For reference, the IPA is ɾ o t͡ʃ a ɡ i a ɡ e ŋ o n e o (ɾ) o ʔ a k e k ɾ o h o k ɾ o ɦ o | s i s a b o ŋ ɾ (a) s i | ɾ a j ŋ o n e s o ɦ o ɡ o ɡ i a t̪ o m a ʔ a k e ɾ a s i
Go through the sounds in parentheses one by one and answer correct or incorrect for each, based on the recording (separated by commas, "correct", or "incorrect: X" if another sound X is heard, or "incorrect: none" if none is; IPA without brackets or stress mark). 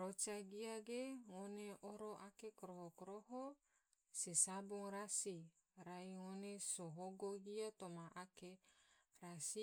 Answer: correct, correct